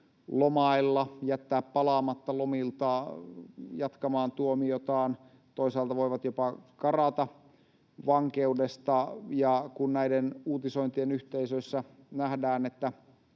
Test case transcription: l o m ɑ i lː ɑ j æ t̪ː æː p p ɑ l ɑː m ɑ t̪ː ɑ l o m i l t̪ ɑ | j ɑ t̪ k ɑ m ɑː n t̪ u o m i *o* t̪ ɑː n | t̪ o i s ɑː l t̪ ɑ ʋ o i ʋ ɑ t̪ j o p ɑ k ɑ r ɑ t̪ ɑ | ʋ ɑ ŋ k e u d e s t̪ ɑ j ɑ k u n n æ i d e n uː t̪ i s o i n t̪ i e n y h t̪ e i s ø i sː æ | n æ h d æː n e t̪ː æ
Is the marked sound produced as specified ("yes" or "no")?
yes